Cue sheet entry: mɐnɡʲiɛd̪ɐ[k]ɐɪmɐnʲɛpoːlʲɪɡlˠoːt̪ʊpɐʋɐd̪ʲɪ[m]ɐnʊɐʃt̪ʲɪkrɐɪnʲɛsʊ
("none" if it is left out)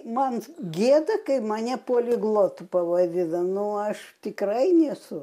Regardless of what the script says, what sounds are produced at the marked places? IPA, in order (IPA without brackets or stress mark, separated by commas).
k, n